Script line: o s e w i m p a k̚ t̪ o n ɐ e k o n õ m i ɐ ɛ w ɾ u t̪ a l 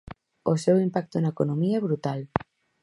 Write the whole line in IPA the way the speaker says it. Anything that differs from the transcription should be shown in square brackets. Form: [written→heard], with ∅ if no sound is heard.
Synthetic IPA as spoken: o s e w i m p a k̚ t̪ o n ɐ e k o n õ m i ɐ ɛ [w→β] ɾ u t̪ a l